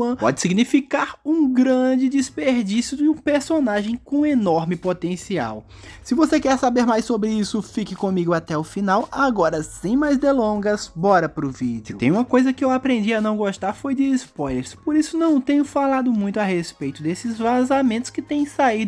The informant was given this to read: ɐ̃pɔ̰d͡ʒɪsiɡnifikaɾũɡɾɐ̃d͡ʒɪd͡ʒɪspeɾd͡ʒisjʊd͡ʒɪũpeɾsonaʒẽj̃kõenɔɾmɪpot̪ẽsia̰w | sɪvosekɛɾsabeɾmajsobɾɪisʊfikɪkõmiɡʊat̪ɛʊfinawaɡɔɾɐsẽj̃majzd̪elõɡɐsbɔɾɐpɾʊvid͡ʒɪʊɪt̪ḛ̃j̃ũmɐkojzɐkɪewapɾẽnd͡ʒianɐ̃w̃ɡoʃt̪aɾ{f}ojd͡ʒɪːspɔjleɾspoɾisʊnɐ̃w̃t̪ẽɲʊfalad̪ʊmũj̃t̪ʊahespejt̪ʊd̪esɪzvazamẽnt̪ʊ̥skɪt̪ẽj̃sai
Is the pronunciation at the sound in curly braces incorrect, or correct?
correct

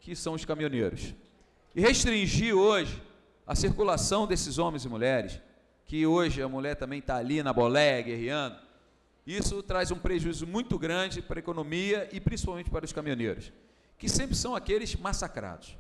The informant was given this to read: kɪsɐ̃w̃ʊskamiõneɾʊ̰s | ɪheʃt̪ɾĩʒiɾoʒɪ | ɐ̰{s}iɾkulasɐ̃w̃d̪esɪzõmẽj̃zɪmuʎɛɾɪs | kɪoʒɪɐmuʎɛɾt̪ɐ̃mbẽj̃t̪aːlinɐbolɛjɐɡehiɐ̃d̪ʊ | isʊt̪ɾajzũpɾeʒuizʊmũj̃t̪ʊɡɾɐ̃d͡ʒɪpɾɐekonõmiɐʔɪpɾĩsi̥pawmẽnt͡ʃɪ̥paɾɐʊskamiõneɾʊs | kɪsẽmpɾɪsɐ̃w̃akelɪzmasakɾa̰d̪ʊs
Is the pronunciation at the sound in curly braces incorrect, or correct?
correct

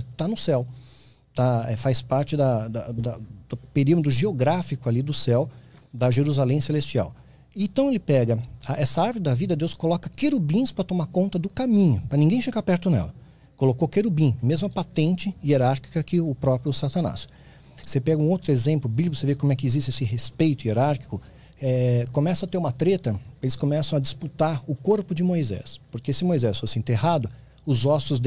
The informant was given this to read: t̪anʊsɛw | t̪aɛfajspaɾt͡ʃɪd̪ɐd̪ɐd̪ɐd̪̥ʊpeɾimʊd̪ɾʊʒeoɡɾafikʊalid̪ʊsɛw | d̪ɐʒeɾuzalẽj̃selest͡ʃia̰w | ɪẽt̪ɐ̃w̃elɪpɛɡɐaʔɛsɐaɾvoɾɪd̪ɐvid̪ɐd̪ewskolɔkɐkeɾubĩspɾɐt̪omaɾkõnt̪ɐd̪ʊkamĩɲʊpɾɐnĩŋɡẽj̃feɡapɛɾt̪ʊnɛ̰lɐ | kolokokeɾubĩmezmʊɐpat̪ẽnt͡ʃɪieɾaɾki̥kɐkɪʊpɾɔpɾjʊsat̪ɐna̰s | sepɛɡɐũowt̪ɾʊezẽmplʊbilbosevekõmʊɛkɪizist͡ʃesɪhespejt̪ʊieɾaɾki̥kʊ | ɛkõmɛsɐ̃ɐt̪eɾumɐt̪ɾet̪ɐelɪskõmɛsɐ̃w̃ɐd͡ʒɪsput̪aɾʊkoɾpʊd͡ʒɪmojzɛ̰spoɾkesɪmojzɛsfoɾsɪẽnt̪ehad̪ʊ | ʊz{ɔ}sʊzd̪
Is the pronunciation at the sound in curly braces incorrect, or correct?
correct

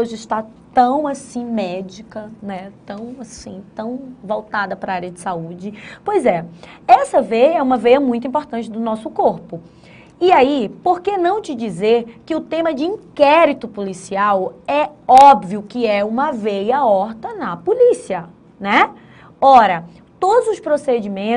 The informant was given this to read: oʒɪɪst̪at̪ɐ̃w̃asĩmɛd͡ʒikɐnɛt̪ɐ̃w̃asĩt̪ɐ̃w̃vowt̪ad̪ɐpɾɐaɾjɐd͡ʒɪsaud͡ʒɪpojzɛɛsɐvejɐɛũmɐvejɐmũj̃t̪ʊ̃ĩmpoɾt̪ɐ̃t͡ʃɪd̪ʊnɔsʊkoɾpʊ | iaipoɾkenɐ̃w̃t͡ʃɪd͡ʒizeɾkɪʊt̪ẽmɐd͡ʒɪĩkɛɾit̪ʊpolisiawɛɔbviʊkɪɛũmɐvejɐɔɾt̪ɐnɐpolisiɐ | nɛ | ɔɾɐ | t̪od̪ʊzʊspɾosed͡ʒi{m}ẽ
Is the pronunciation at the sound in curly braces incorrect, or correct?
correct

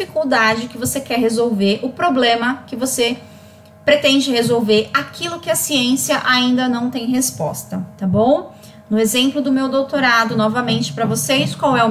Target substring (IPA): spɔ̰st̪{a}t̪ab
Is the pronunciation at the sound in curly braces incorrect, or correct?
incorrect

